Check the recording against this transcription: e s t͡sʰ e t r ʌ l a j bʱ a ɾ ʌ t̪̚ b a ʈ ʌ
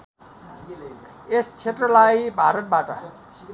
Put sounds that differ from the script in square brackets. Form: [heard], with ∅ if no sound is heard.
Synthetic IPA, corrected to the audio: e s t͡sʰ e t r ʌ l a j bʱ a ɾ ʌ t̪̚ b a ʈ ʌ